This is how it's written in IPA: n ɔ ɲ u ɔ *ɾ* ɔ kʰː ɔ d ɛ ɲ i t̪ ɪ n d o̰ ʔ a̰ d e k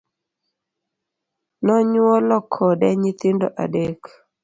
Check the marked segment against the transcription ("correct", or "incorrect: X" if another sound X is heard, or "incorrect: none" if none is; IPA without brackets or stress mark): incorrect: l